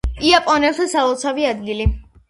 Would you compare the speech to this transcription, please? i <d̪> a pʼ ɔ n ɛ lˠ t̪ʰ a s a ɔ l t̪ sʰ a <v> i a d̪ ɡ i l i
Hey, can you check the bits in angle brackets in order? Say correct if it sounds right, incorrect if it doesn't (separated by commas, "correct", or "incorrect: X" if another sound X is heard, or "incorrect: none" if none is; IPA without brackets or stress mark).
incorrect: none, correct